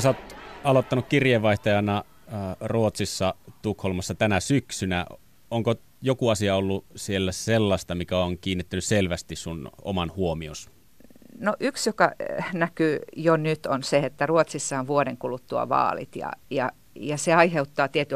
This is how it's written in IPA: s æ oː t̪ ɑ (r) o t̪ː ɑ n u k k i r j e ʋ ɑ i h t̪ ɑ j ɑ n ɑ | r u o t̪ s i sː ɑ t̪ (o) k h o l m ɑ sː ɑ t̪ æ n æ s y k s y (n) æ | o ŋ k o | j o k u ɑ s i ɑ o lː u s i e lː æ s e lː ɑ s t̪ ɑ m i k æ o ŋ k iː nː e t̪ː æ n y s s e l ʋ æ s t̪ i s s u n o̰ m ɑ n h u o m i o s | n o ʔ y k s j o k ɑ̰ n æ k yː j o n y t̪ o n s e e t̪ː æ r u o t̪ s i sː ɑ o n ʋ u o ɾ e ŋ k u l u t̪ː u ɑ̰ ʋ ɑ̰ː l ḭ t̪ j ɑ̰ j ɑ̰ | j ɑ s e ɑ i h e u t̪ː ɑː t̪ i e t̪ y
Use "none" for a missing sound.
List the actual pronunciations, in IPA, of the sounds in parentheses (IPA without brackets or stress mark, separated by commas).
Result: l, u, n